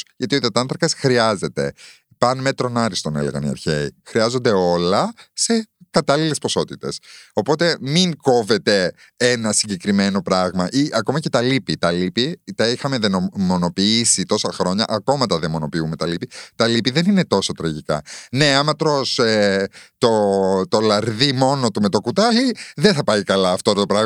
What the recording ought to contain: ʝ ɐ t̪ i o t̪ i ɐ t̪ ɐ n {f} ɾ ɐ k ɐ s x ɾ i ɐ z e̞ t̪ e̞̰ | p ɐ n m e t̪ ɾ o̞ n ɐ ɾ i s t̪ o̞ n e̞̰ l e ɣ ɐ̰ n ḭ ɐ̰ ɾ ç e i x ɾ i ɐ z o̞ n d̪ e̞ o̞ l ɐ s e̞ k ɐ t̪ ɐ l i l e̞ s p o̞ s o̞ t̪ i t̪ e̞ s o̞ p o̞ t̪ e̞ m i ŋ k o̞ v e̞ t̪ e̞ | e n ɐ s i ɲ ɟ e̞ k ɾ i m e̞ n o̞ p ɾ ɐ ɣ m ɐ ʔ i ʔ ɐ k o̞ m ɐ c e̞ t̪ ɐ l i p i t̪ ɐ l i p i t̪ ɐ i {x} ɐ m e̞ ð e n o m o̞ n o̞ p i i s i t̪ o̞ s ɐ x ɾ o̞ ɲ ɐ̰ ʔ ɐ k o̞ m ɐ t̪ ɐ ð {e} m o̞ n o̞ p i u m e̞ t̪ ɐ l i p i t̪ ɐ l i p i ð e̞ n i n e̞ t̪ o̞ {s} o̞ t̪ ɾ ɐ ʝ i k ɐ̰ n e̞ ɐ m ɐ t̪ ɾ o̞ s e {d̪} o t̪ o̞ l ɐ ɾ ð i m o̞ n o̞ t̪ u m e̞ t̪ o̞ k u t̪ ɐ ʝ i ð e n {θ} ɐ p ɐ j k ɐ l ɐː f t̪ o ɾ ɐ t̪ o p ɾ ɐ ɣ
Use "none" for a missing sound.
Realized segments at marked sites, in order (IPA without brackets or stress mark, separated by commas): θ, x, e, s, t̪, θ